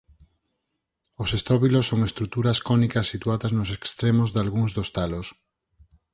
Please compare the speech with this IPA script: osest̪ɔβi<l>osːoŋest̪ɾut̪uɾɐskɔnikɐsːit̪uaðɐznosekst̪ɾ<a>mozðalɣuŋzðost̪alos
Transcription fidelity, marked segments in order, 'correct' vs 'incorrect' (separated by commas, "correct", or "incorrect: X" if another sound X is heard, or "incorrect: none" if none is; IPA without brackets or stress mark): correct, incorrect: e